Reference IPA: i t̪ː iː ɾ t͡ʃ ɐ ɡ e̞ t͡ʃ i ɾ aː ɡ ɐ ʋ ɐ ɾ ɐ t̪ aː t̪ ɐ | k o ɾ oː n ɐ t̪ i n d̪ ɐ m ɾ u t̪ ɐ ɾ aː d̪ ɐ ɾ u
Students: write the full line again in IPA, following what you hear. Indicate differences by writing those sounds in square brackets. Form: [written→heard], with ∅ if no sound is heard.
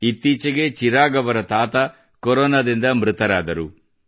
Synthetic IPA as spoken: i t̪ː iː [ɾ→∅] t͡ʃ ɐ ɡ e̞ t͡ʃ i ɾ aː ɡ ɐ ʋ ɐ ɾ ɐ t̪ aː t̪ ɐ | k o ɾ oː n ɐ [t̪→d̪] i n d̪ ɐ m ɾ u t̪ ɐ ɾ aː d̪ ɐ ɾ u